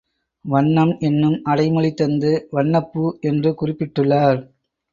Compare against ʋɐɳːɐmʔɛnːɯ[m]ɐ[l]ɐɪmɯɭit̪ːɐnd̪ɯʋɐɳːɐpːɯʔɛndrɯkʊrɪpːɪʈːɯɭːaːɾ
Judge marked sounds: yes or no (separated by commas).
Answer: yes, no